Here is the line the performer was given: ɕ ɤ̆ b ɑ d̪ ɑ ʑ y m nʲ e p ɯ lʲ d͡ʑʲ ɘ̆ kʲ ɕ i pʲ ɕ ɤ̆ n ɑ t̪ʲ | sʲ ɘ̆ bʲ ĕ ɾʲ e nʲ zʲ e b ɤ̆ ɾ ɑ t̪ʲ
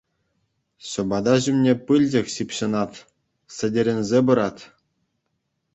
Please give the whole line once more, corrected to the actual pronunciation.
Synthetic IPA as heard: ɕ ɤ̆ b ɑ d̪ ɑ ʑ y m nʲ e p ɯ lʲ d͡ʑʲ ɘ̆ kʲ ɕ i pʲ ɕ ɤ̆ n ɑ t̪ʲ | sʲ ɘ̆ dʲ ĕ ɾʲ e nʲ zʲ e b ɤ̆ ɾ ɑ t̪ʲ